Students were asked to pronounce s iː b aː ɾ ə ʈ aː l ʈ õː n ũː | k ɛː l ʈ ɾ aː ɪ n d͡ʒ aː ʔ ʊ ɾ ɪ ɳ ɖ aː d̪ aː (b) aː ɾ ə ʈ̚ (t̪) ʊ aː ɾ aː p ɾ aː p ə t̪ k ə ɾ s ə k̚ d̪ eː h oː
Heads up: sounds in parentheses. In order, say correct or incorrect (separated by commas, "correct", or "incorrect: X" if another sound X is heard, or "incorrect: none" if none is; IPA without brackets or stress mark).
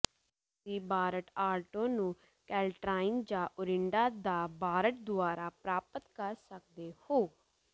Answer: correct, incorrect: d̪